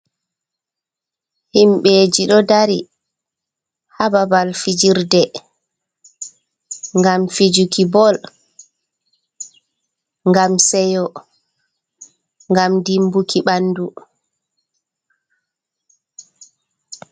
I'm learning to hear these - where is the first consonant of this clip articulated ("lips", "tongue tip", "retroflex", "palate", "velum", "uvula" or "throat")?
throat